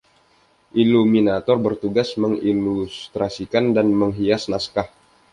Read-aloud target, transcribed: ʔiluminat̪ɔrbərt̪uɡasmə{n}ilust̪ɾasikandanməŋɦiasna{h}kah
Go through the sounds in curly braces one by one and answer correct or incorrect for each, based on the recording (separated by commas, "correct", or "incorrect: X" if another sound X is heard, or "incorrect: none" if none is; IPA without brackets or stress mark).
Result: incorrect: ŋ, incorrect: s